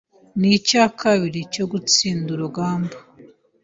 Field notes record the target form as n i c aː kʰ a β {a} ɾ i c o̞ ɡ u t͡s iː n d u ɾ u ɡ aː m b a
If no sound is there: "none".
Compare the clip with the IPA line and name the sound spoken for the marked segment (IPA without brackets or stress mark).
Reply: i